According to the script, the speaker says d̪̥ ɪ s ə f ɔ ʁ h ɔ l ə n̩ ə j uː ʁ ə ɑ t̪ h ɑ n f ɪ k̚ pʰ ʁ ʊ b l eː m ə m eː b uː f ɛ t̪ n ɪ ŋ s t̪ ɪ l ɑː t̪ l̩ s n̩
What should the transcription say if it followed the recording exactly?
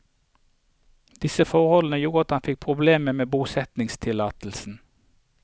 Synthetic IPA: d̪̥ ɪ s ə f ɔ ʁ h ɔ l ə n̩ ə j uː ʁ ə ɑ t̪ h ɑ n f ɪ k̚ pʰ ʁ ʊ b l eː m ə m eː b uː s ɛ t̪ n ɪ ŋ s t̪ʰ ɪ l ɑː t̪ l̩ s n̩